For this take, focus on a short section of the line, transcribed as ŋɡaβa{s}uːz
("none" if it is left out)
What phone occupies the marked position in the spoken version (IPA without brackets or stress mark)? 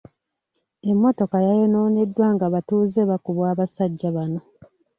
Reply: t